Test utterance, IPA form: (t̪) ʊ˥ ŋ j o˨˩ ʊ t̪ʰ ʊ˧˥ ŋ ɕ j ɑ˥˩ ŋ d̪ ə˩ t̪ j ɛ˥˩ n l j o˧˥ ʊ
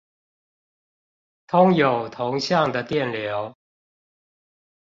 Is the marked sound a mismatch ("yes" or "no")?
yes